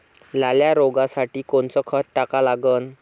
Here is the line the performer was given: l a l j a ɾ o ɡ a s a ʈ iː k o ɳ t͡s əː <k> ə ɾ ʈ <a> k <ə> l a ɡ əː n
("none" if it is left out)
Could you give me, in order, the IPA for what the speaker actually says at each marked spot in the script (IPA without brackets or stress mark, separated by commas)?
kʰ, a, a